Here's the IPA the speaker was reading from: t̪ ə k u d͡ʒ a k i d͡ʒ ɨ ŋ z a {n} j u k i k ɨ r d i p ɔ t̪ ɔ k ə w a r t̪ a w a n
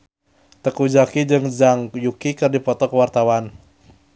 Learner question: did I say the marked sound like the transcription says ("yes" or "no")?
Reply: no